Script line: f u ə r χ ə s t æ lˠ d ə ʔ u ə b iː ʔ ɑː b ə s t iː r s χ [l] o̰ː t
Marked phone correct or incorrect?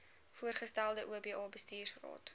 incorrect: r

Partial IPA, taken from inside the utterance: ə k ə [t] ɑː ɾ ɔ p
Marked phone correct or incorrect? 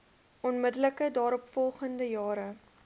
incorrect: d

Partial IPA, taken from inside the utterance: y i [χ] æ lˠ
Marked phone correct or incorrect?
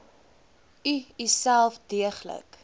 incorrect: s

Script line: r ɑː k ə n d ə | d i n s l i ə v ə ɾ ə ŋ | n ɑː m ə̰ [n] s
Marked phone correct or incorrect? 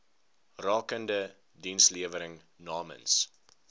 correct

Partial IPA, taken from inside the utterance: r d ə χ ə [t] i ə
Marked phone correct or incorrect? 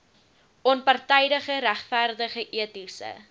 incorrect: ʔ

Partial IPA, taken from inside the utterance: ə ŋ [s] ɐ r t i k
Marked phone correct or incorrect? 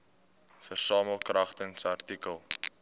correct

